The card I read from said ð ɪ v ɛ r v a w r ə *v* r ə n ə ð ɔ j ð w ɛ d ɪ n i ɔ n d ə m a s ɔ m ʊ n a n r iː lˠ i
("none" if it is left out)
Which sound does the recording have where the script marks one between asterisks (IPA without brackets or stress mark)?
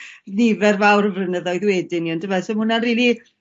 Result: v